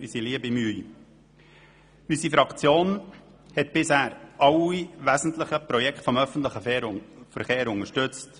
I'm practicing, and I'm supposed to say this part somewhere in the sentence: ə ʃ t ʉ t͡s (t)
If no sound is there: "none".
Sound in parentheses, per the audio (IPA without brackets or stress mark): t